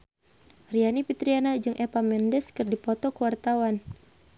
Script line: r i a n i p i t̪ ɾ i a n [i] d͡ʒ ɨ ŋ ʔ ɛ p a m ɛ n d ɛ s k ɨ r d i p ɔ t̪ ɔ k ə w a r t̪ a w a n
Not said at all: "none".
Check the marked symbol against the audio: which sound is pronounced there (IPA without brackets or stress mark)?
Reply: a